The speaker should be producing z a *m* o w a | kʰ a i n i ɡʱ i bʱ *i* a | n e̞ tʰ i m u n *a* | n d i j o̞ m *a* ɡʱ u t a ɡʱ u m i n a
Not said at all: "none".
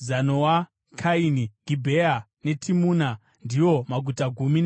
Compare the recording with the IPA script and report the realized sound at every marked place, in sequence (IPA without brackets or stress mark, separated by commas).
n, e, a, a